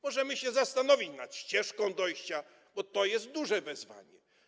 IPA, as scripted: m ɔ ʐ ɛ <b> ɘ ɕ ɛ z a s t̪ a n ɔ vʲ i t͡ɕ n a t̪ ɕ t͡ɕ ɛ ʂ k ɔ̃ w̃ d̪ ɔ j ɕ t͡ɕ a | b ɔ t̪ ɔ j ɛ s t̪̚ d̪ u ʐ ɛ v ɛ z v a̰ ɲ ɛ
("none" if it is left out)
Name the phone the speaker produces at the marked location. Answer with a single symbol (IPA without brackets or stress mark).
m